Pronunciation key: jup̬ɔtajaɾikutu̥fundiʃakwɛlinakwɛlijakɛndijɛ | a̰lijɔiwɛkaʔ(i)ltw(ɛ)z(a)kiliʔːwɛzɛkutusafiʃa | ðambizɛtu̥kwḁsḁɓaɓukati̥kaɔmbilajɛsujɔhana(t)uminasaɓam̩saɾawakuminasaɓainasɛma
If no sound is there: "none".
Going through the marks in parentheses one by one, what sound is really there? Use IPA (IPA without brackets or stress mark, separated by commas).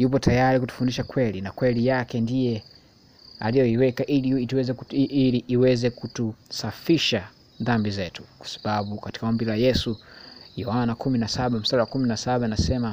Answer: i, ɛ, ɛ, k